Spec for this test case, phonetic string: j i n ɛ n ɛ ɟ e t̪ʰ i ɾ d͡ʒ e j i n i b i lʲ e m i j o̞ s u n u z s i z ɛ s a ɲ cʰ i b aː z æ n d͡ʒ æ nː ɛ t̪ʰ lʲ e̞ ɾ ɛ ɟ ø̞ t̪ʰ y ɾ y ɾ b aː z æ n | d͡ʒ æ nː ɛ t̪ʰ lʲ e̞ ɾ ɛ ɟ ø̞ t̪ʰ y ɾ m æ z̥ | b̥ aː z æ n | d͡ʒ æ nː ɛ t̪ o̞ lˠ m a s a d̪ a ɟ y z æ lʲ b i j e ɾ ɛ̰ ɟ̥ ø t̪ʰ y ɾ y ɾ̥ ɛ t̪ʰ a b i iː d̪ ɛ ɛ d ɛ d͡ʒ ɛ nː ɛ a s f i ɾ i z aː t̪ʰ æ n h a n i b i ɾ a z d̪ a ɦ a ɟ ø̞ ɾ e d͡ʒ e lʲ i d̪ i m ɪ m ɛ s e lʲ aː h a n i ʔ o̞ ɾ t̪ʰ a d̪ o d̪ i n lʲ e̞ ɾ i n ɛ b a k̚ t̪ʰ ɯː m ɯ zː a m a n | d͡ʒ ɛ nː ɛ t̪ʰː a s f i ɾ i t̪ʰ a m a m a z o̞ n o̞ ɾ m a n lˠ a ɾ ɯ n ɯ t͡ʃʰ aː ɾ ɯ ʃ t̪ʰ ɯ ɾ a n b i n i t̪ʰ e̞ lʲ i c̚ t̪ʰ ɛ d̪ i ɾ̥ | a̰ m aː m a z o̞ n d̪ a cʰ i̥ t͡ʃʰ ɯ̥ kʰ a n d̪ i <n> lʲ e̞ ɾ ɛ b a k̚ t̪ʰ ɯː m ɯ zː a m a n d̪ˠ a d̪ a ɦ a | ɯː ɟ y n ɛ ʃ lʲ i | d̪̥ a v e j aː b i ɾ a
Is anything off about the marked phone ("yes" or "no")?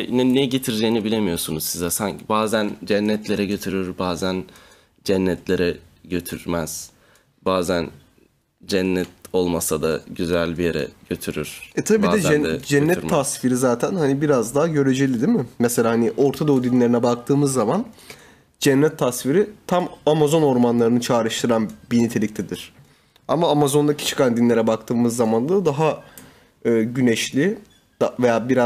no